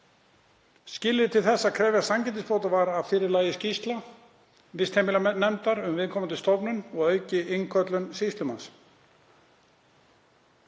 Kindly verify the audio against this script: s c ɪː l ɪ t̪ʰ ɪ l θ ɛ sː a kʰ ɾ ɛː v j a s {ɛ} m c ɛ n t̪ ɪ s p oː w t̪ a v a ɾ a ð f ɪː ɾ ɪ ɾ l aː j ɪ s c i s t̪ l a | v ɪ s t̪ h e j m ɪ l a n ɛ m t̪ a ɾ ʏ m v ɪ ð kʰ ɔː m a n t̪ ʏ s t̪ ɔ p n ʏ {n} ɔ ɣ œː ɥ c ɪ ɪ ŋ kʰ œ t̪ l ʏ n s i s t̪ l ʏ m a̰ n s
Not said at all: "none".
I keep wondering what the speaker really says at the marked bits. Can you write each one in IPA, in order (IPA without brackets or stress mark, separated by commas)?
a, n